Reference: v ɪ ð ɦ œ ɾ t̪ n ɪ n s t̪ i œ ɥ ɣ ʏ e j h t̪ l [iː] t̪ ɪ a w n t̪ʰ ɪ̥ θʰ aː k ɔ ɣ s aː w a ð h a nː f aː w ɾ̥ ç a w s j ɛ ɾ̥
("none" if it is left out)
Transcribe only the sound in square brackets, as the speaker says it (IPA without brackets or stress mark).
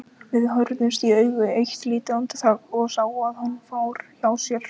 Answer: iː